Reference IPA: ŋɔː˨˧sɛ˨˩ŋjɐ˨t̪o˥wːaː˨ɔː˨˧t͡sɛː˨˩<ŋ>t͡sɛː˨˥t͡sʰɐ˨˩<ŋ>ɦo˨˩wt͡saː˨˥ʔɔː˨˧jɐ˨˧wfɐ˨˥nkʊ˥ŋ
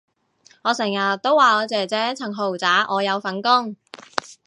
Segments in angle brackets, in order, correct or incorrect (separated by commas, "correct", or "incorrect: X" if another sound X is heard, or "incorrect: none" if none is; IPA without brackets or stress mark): incorrect: none, correct